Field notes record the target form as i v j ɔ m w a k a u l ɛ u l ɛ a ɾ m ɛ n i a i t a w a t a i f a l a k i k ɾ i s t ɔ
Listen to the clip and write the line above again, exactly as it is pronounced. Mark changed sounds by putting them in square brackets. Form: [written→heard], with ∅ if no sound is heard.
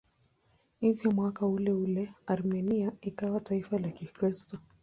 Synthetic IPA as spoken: i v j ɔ m w a k a u l ɛ u l ɛ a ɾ m ɛ n i a i [t→k] a w a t a i f a l a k i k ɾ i s t ɔ